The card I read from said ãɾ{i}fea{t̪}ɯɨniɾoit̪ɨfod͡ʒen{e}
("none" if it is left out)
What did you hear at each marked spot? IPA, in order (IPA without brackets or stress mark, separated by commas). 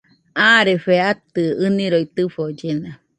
e, t̪, a